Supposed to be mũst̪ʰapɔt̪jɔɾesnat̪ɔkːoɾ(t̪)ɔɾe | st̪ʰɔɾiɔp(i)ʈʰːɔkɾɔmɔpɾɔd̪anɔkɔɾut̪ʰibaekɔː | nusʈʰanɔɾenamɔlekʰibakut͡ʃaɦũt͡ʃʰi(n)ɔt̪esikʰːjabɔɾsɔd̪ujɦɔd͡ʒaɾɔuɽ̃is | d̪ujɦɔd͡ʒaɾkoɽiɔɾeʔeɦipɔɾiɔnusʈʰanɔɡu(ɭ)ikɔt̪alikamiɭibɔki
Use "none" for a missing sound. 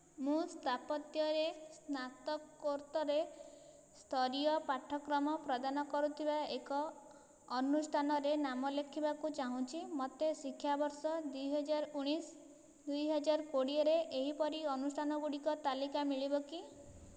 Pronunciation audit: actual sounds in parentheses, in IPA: t̪, a, m, ɽ

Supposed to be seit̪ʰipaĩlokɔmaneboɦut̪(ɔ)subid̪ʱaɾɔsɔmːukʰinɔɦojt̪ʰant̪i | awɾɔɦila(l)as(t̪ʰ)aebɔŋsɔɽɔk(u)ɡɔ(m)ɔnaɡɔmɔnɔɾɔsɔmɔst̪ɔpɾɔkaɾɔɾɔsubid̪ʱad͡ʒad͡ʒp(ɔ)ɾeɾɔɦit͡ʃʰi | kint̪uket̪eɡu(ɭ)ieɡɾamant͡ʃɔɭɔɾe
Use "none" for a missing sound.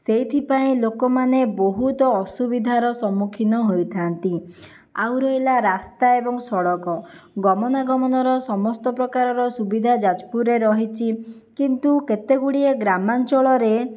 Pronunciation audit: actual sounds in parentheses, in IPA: ɔː, ɾ, t̪, ɔ, m, u, ɽ

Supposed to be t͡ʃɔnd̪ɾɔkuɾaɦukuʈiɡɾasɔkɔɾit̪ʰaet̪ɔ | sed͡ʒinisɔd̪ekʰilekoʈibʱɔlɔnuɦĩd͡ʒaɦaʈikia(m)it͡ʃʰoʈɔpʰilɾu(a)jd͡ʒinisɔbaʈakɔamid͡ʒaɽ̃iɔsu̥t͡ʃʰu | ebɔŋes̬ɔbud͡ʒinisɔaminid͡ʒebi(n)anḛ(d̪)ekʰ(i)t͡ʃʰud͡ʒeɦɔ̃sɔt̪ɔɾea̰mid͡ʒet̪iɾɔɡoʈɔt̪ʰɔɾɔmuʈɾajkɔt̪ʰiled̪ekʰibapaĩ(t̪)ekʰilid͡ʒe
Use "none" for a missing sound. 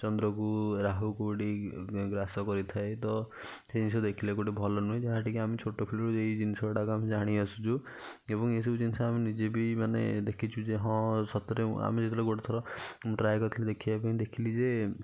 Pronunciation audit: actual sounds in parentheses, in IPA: m, e, m, d̪, i, d̪

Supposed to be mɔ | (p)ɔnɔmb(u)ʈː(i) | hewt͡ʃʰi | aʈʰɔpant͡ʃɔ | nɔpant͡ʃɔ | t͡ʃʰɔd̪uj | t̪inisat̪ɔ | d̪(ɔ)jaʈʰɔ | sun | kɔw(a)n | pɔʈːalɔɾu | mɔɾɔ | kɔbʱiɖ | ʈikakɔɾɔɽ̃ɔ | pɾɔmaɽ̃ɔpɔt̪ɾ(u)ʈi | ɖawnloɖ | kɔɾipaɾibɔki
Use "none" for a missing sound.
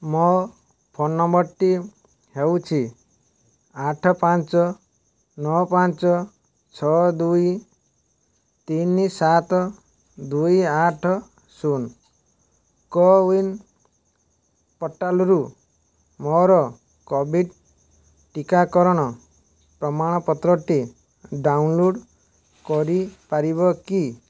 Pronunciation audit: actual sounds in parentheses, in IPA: pʰ, ɔ, i, u, i, ɔ

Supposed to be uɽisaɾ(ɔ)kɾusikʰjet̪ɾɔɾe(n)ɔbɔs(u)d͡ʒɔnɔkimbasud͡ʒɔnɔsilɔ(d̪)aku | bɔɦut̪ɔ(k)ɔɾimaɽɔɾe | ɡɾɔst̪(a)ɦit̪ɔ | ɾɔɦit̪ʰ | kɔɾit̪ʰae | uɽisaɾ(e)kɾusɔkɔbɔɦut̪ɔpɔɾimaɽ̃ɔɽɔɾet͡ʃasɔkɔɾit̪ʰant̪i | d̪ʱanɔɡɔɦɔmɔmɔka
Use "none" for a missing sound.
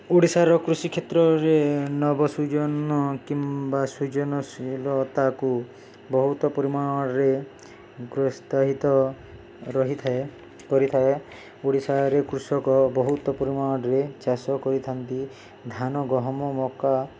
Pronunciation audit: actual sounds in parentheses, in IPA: ɔ, n, u, t̪, p, a, e

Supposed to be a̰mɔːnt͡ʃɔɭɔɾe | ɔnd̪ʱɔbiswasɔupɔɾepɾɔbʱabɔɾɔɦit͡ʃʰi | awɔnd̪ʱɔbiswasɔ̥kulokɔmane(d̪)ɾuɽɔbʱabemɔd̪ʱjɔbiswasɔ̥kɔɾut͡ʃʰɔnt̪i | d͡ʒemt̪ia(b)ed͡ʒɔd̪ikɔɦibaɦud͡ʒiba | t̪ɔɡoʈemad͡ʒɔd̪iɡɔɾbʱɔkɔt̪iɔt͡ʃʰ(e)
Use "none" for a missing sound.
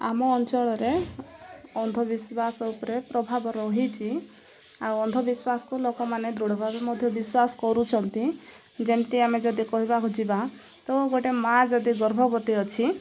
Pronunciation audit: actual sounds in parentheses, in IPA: d̪, m, i

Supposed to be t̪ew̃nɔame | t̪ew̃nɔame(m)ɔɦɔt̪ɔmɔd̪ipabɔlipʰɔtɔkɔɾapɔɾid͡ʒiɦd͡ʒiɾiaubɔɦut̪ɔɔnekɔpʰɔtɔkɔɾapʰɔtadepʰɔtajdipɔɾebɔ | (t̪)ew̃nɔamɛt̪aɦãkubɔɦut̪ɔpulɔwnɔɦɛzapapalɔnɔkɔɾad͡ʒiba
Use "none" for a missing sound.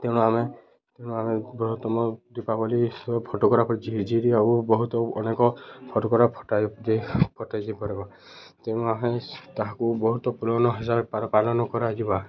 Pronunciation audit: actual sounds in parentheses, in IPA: b, t̪

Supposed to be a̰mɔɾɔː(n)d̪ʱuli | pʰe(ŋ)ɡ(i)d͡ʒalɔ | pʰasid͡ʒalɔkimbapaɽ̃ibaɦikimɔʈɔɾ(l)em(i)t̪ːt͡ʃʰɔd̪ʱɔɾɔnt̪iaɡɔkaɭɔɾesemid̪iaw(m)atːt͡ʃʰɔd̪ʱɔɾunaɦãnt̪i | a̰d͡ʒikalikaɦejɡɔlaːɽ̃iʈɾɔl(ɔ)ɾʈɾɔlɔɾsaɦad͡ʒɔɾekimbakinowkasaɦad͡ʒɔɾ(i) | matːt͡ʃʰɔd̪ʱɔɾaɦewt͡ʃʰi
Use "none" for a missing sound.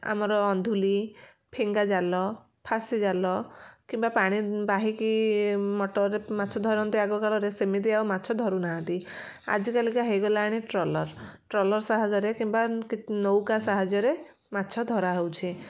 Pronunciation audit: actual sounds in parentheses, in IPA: n, ŋ, a, ɾ, a, m, ɔ, e

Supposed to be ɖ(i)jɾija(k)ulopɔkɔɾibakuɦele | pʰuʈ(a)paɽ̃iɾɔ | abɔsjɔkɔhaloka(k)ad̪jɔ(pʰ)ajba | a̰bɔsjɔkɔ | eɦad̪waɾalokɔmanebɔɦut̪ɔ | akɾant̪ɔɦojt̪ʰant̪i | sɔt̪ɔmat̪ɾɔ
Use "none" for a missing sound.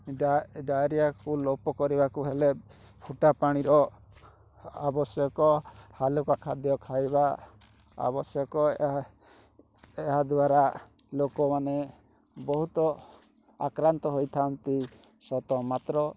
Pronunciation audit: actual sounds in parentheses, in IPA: a, k, a, kʰ, kʰ

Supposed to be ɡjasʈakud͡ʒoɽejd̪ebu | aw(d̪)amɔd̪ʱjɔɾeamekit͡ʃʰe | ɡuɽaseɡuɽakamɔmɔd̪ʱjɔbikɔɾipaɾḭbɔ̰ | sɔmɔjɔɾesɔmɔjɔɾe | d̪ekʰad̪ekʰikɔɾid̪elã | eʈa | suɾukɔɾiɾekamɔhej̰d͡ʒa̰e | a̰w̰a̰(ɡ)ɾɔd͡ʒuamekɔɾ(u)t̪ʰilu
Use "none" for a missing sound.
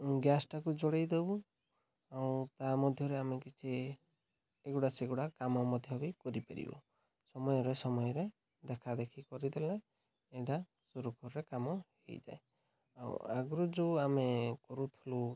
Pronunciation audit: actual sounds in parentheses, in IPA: t̪, ɡ, u

